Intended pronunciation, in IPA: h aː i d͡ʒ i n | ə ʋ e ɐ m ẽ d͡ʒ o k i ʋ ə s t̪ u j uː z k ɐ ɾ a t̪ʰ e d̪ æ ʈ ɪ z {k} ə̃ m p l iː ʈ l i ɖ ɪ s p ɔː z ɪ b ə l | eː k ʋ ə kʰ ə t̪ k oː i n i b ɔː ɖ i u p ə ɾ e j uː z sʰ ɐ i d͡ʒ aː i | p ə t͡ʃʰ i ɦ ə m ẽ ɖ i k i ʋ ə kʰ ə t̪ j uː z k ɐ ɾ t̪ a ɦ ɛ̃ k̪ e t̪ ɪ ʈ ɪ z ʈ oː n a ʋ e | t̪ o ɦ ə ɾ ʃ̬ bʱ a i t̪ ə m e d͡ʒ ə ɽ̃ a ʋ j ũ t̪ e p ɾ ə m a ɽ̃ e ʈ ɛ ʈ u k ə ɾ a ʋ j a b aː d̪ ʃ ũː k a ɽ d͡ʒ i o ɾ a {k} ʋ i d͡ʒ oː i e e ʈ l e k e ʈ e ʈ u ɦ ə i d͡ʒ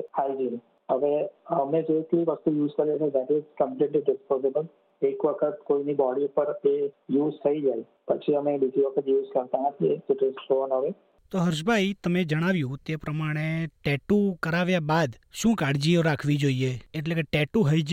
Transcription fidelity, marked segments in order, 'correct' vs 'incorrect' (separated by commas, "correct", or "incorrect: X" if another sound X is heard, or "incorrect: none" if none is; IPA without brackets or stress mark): correct, incorrect: kʰ